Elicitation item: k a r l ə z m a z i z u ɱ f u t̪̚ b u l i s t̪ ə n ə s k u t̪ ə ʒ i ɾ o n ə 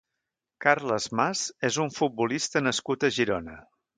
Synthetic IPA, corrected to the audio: k a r l ə z m a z e z u ɱ f u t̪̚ b u l i s t̪ ə n ə s k u t̪ ə ʒ i ɾ o n ə